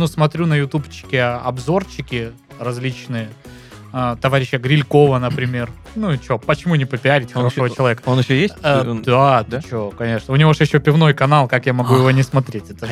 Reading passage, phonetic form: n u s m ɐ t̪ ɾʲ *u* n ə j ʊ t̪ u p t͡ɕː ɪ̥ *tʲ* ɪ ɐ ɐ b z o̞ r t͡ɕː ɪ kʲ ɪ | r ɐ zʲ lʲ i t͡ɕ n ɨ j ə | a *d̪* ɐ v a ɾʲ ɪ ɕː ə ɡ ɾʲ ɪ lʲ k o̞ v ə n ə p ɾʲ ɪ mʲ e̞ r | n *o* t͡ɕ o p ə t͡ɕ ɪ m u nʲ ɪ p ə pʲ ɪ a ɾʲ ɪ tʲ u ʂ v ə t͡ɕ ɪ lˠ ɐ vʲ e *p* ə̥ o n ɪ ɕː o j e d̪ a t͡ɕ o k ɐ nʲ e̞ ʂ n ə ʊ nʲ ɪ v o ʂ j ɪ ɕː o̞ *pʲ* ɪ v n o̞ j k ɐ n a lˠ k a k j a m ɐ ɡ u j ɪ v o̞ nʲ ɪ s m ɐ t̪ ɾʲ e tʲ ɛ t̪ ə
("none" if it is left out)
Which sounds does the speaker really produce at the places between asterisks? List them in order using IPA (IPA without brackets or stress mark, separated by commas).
u, kʲ, t̪, u, k, pʲ